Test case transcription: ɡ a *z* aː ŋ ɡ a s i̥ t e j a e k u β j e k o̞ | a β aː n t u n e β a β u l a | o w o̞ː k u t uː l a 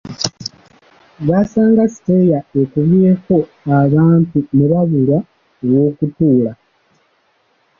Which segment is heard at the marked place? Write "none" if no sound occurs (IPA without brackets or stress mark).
s